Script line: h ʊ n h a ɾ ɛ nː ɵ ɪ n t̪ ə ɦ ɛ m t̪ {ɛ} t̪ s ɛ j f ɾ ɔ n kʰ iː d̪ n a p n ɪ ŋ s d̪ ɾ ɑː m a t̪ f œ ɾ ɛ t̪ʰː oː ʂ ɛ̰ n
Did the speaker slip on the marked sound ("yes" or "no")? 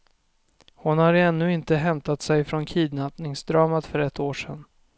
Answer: yes